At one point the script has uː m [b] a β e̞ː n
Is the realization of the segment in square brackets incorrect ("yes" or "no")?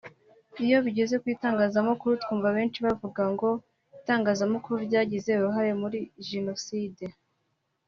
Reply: yes